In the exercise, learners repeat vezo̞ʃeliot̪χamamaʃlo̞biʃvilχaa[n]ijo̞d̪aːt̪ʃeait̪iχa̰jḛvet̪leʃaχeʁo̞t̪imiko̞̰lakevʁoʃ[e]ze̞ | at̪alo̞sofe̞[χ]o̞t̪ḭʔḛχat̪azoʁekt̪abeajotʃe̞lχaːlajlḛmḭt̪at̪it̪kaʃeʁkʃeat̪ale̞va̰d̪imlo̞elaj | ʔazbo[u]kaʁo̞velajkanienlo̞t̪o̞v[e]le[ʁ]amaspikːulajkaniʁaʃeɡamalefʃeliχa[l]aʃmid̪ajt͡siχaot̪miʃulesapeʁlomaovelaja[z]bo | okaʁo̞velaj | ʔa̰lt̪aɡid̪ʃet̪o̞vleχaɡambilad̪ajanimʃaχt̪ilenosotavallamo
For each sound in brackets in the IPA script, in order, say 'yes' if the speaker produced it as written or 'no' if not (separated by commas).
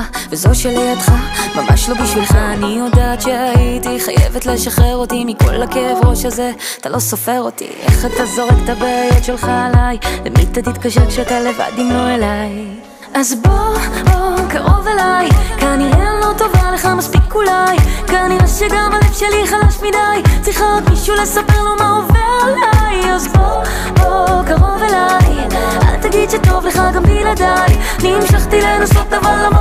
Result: yes, no, no, no, no, no, yes, yes